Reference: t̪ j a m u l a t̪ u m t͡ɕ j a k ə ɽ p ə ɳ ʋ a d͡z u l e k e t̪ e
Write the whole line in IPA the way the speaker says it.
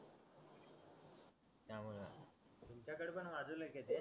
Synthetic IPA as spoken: t̪ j a m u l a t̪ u m t͡ɕ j a k ə ɽ p ə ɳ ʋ a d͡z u l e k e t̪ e